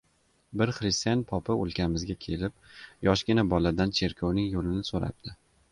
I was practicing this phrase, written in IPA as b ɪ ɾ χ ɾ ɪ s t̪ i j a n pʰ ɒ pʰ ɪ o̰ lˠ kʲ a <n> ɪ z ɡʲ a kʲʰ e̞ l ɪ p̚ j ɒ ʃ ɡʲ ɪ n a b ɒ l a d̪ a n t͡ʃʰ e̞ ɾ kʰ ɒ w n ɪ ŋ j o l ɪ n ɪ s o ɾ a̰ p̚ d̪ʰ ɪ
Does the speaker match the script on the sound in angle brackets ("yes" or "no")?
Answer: no